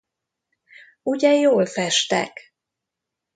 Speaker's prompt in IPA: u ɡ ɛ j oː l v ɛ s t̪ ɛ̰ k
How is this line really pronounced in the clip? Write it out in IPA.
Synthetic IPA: u ɟ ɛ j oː l f ɛ ʃ t̪ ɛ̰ k